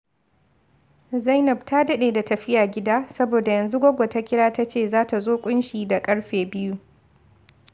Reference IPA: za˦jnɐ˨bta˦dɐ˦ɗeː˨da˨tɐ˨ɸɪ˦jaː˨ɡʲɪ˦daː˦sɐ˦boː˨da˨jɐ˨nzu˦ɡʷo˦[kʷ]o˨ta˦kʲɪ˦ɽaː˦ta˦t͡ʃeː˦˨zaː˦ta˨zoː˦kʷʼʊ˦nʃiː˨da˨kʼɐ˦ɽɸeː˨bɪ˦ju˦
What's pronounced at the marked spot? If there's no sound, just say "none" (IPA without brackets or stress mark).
ɡʷ